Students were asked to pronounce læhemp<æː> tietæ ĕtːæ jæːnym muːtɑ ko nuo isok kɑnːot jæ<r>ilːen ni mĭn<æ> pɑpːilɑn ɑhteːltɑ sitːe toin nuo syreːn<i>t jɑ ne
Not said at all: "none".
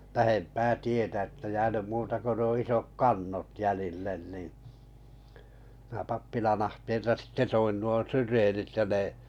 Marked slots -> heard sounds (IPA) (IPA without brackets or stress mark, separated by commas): æː, l, æ, i